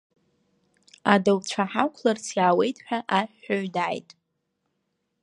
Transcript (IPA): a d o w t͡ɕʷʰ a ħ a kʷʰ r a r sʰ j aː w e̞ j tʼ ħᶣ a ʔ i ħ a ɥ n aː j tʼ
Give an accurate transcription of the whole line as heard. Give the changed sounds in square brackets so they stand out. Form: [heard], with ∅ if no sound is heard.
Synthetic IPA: a d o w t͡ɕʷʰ a ħ a kʷʰ [l] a r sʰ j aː w e̞ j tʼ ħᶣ a ʔ [a] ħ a ɥ [d] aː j tʼ